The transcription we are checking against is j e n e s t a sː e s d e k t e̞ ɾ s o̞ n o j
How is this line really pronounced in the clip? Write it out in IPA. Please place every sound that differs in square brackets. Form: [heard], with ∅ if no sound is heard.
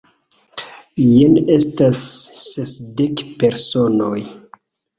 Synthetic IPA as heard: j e n e s t a sː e s d e k [p] e̞ ɾ s o̞ n o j